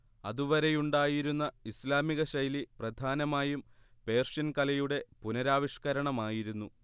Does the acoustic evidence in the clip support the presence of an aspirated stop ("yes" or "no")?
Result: no